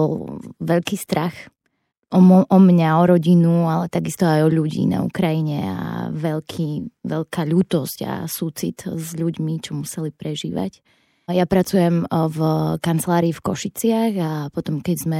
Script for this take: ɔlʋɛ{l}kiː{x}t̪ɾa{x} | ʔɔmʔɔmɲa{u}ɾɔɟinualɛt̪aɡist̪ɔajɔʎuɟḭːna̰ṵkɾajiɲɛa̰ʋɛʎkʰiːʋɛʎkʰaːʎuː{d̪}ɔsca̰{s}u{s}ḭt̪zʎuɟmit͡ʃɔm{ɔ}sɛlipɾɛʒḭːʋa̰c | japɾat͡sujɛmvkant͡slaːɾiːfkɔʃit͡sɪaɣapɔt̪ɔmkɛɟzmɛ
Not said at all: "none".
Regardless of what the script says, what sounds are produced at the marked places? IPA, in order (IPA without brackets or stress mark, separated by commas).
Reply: ʎ, s, x, ɔ, t̪, s, t͡s, u